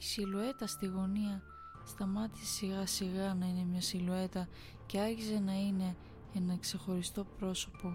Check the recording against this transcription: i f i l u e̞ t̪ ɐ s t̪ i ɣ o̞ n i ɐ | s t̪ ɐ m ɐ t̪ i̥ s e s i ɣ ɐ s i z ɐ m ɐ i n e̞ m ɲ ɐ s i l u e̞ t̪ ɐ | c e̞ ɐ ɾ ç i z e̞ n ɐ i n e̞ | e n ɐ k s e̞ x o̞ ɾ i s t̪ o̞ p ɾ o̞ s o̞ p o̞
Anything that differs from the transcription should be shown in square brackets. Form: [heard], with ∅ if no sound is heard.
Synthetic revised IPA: i [s] i l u e̞ t̪ ɐ s t̪ i ɣ o̞ n i ɐ | s t̪ ɐ m ɐ t̪ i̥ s e s i ɣ ɐ s i [ɣ] ɐ [n] ɐ i n e̞ m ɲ ɐ s i l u e̞ t̪ ɐ | c e̞ ɐ ɾ ç i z e̞ n ɐ i n e̞ | e n ɐ k s e̞ x o̞ ɾ i s t̪ o̞ p ɾ o̞ s o̞ p o̞